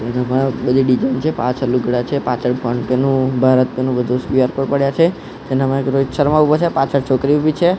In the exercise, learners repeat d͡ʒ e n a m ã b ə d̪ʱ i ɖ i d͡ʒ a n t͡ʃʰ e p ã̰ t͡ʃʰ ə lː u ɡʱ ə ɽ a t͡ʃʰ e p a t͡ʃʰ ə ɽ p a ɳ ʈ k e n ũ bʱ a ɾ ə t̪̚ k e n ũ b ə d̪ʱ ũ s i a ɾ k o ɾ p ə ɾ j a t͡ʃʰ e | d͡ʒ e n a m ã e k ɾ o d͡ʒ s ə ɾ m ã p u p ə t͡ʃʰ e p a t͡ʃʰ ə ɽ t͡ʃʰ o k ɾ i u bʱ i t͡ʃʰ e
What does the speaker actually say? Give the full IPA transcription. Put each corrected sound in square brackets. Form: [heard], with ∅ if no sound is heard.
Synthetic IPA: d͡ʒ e n a m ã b ə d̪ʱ i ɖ i d͡ʒ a n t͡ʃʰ e p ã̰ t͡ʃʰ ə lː u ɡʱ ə ɽ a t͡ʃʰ e p a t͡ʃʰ ə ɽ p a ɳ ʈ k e n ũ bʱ a ɾ ə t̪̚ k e n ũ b ə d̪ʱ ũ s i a ɾ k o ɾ p ə [ɽ] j a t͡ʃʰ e | d͡ʒ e n a m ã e k ɾ o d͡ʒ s ə ɾ m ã [∅] u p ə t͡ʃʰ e p a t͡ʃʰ ə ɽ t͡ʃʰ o k ɾ i u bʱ i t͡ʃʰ e

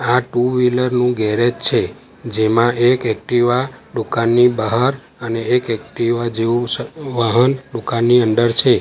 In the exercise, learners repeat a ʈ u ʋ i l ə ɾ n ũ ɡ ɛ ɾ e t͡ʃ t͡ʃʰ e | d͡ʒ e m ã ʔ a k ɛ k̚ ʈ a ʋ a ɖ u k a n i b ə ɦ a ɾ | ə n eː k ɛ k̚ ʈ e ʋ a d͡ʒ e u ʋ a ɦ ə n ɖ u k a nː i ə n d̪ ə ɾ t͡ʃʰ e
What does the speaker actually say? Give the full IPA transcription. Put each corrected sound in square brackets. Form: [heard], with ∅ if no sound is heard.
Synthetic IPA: a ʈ u ʋ i l ə ɾ n ũ ɡ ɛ ɾ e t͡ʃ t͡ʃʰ e | d͡ʒ e m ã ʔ [e] k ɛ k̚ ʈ [i] ʋ a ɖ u k a [nː] i b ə ɦ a ɾ | ə n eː k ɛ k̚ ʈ [i] ʋ a d͡ʒ e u ʋ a ɦ ə n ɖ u k a nː i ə n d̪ ə ɾ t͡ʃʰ e

